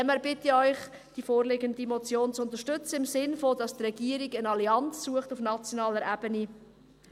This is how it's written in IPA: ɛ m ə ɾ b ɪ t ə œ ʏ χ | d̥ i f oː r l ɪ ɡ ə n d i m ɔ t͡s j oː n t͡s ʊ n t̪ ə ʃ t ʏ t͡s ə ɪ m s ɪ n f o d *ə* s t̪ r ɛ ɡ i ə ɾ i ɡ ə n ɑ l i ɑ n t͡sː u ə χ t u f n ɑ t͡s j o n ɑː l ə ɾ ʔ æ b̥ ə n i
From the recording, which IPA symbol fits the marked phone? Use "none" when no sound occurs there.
ɑ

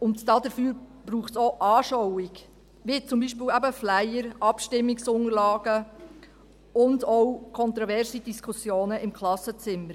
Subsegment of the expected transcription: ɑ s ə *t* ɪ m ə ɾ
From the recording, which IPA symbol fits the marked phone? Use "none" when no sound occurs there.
t͡s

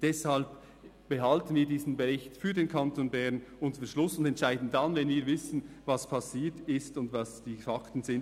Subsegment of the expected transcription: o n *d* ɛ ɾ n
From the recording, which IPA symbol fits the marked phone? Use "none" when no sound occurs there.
b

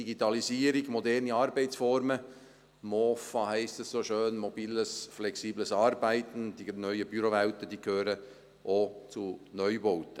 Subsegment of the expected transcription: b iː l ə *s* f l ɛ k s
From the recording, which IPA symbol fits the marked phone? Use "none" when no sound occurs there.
s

